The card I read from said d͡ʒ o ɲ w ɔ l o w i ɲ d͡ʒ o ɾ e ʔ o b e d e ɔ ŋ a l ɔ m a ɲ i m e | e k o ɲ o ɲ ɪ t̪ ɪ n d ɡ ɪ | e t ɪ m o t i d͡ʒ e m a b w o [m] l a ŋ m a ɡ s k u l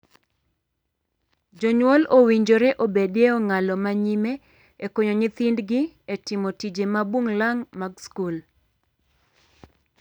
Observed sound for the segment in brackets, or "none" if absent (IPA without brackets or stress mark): ŋ